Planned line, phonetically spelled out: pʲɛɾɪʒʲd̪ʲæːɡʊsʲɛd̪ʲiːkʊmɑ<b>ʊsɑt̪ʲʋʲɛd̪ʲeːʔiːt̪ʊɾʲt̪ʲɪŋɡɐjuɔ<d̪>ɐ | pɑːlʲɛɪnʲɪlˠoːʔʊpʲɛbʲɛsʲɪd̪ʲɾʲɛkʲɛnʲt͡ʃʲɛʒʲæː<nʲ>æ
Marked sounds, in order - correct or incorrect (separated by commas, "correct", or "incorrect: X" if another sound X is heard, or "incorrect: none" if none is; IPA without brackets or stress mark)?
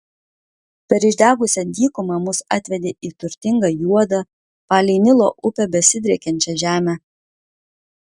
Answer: incorrect: m, correct, incorrect: mʲ